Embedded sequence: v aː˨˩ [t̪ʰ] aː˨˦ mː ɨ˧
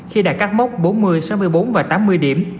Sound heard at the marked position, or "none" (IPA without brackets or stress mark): t̪